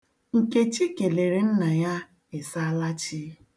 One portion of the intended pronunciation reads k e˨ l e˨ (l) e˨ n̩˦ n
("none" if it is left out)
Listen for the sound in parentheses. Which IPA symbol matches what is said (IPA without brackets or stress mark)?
ɾ